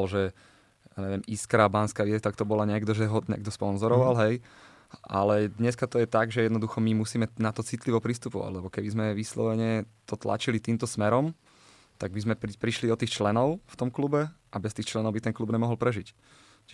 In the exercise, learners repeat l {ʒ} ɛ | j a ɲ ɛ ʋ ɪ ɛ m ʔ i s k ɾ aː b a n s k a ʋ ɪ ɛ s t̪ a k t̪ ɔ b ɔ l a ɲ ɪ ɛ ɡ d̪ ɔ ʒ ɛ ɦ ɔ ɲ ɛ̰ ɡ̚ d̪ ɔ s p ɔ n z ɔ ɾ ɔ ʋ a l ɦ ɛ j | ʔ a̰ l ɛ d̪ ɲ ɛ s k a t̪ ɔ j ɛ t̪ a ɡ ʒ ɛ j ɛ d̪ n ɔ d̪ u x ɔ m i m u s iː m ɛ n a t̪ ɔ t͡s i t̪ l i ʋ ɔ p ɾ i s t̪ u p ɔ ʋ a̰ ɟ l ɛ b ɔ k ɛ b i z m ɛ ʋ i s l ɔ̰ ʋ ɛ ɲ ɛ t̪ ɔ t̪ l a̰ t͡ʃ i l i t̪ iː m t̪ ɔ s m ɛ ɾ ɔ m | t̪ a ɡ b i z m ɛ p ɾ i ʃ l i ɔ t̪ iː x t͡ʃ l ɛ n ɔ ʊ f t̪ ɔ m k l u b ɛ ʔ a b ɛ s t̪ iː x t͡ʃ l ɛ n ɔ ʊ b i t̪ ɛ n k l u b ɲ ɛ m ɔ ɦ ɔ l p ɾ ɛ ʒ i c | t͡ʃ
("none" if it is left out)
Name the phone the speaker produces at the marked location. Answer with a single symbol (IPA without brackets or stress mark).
ʒ